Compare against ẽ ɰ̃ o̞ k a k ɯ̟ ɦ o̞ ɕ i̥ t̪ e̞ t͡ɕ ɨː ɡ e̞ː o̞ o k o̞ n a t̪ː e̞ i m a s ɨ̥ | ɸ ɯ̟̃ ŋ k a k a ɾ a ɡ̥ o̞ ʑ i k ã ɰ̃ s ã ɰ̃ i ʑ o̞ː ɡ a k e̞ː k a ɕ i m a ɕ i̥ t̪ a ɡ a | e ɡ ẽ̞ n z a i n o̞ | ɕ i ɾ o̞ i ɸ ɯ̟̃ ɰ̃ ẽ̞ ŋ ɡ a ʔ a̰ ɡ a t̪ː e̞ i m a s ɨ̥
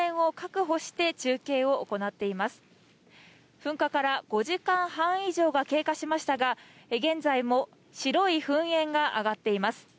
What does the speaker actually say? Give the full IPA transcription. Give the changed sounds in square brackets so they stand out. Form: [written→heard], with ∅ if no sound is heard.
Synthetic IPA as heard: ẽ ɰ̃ o̞ k a k ɯ̟ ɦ o̞ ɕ i̥ t̪ e̞ t͡ɕ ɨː [ɡ→k] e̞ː o̞ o k o̞ n a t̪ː e̞ i m a s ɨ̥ | ɸ ɯ̟̃ ŋ k a k a ɾ a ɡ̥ o̞ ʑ i k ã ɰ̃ [s→h] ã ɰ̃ i ʑ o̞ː ɡ a k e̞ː k a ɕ i m a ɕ i̥ t̪ a ɡ a | e ɡ ẽ̞ n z a i [n→m] o̞ | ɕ i ɾ o̞ i ɸ ɯ̟̃ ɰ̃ ẽ̞ ŋ ɡ a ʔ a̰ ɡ a t̪ː e̞ i m a s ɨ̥

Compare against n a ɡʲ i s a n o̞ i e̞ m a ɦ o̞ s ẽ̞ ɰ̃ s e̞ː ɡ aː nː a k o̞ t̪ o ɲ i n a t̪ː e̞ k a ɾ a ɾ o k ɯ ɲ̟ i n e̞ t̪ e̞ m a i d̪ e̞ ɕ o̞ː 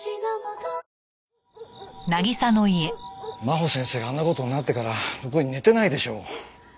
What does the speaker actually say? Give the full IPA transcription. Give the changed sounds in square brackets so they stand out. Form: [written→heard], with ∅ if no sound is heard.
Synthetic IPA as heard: n a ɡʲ i s a n o̞ i e̞ m a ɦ o̞ s ẽ̞ ɰ̃ s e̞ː ɡ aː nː a k o̞ t̪ o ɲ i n a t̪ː e̞ k a ɾ a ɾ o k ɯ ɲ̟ i n e̞ t̪ e̞ [m→n] a i d̪ e̞ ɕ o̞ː

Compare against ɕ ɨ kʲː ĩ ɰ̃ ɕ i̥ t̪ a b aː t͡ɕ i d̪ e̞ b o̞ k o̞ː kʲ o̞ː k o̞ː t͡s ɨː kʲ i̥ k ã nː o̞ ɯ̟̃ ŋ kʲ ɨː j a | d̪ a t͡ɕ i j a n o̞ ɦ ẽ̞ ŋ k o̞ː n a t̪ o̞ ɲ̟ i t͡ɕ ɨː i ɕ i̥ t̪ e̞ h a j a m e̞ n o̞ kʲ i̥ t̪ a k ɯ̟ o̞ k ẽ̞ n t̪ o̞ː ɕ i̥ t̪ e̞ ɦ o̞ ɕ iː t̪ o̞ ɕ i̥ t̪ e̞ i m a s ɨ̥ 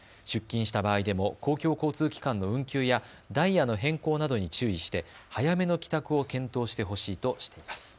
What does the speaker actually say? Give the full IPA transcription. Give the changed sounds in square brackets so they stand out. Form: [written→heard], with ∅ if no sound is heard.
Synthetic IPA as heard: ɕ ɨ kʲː ĩ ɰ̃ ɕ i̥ t̪ a b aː [t͡ɕ→∅] i d̪ e̞ [b→m] o̞ k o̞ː kʲ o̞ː k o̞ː t͡s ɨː kʲ i̥ k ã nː o̞ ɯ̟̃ ŋ kʲ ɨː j a | d̪ a [t͡ɕ→∅] i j a n o̞ ɦ ẽ̞ ŋ k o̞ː n a [t̪→d̪] o̞ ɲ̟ i t͡ɕ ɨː i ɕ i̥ t̪ e̞ h a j a m e̞ n o̞ kʲ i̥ t̪ a k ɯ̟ o̞ k ẽ̞ n t̪ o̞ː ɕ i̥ t̪ e̞ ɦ o̞ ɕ iː t̪ o̞ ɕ i̥ t̪ e̞ i m a s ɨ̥

